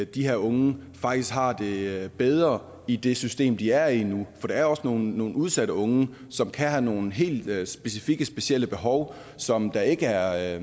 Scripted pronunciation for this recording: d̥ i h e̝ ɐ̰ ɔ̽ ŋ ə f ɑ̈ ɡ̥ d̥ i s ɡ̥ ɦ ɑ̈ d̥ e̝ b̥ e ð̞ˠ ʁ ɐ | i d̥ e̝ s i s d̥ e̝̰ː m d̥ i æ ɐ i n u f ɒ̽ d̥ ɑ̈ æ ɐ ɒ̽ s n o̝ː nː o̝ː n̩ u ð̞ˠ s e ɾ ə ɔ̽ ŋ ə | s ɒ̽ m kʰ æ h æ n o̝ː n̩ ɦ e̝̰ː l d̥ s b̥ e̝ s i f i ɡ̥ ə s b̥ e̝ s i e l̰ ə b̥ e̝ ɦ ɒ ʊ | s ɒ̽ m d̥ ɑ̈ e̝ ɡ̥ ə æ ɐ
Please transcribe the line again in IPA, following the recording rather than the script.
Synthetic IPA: d̥ i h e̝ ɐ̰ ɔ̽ ŋ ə f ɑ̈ ɡ̥ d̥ i s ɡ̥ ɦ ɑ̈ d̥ e̝ b̥ e ð̞ˠ ʁ ɐ | i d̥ e̝ s y s d̥ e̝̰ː m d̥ i æ ɐ i n u f ɒ̽ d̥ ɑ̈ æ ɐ ɒ̽ s n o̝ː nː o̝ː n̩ u ð̞ˠ s æ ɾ ə ɔ̽ ŋ ə | s ɒ̽ m kʰ æ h æ n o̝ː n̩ ɦ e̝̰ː l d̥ s b̥ e̝ s i f i ɡ̥ ə s b̥ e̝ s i e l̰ ə b̥ e̝ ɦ ɒ ʊ | s ɒ̽ m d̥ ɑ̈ e̝ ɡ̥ ə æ ɐ